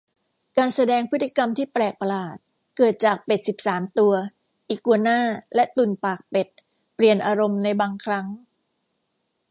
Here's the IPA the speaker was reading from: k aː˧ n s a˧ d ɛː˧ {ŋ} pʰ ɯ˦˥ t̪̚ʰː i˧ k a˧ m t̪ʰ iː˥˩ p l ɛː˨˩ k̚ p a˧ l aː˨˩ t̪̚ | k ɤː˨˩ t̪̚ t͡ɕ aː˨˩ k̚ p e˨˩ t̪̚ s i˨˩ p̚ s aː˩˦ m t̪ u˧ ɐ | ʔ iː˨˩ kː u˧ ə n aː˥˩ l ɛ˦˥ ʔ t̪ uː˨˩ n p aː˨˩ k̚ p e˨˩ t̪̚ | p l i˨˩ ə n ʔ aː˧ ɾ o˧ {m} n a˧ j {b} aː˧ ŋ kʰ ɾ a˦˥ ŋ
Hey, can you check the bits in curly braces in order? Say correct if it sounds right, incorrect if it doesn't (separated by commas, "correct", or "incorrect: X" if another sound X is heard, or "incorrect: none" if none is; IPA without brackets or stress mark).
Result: correct, correct, correct